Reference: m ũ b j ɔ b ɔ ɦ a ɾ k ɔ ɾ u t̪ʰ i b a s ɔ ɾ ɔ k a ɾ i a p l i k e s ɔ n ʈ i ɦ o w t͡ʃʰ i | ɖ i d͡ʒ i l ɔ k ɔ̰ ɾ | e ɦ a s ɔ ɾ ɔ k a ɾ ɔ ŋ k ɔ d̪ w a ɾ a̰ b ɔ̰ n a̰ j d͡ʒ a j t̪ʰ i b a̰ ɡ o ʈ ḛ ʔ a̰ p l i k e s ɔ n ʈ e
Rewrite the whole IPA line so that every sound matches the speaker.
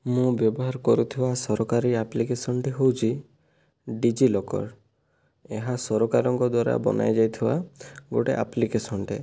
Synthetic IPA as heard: m ũ b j ɔ b ɔ ɦ a ɾ k ɔ ɾ u t̪ʰ i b a s ɔ ɾ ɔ k a ɾ i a p l i k e s ɔ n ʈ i ɦ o w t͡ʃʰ i | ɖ i d͡ʒ i l ɔ k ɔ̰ ɾ | e ɦ a s ɔ ɾ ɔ k a ɾ ɔ ŋ k ɔ d̪ w a ɾ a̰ b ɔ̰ n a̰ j d͡ʒ a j t̪ʰ i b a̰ ɡ o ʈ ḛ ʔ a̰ p l i k e s ɔ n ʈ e